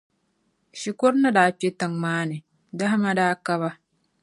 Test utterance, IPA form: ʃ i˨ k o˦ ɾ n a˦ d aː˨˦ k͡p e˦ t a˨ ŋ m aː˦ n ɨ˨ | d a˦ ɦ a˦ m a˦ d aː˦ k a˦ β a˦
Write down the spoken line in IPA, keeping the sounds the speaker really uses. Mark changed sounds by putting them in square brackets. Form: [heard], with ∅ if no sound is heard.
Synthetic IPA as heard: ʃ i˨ k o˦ ɾ n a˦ d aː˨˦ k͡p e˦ t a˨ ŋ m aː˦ n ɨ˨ | d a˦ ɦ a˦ m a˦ d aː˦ k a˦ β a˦